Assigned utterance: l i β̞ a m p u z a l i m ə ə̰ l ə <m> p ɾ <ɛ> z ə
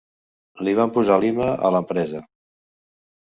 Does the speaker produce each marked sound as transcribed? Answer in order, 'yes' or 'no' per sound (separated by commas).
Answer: yes, yes